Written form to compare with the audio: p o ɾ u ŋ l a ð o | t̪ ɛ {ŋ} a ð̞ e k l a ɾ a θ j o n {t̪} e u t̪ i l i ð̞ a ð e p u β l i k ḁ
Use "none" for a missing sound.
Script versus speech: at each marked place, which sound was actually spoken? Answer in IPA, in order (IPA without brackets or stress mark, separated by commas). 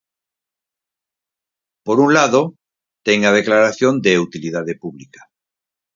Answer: ŋ, d̪